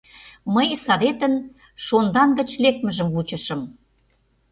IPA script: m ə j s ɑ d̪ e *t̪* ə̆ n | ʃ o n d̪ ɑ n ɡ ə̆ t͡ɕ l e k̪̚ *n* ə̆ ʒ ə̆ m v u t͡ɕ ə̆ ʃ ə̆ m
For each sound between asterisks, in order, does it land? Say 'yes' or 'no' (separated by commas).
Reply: yes, no